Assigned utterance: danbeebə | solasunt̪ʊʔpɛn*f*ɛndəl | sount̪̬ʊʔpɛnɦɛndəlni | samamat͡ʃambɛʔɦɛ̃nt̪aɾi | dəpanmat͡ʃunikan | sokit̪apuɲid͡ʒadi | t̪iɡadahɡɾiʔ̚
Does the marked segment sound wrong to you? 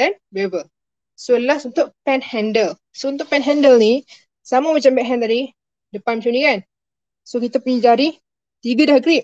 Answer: yes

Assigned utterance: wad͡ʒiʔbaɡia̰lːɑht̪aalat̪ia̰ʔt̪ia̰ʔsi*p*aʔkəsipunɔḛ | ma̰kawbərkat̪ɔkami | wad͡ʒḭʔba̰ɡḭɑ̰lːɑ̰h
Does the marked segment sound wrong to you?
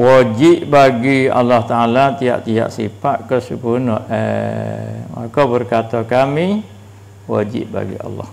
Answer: no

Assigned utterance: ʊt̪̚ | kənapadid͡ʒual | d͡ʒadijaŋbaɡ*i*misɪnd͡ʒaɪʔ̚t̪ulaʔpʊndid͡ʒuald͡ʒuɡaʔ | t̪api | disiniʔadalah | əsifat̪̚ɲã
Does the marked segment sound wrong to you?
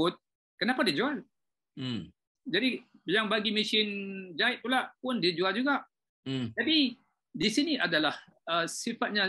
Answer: no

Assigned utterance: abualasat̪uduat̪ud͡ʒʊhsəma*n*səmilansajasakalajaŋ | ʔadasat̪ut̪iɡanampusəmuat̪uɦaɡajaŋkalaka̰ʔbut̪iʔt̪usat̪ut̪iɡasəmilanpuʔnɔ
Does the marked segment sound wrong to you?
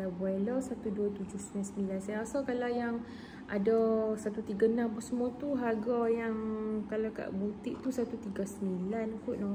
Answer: no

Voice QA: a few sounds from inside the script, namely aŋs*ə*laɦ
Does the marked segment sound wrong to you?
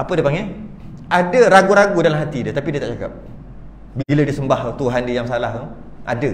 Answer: yes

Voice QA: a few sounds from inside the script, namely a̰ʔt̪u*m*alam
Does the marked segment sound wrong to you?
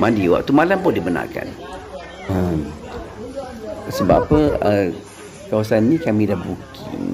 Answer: no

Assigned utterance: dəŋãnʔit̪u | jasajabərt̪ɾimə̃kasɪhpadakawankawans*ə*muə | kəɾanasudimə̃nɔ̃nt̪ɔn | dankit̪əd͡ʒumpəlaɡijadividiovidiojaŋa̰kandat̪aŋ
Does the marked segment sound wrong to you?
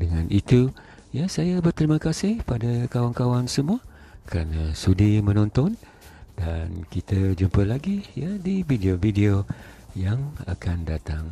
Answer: no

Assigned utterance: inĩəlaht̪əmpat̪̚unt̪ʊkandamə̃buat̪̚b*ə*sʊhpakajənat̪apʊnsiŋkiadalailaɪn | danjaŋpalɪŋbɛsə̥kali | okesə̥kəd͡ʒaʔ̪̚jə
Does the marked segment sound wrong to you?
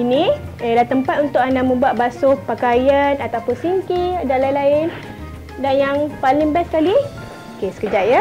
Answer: yes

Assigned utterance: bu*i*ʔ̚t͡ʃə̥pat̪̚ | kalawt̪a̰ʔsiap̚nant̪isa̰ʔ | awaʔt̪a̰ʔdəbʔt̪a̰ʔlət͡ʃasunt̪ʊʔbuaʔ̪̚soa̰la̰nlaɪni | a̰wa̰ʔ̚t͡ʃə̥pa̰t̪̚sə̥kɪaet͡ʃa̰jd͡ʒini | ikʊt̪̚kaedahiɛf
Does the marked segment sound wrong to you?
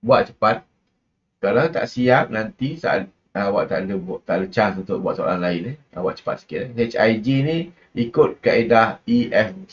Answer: yes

